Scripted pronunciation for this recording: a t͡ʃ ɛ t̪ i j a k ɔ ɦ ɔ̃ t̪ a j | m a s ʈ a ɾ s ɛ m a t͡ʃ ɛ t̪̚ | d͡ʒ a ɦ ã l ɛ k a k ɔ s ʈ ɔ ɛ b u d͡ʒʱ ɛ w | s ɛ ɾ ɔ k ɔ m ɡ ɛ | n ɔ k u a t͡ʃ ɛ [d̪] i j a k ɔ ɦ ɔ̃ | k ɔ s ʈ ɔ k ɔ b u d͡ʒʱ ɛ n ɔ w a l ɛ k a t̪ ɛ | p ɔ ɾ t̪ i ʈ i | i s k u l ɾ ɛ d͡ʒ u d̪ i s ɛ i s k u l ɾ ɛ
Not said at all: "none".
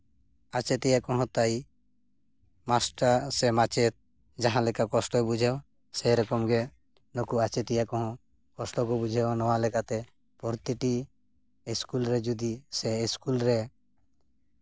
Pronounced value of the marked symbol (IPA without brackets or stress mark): t̪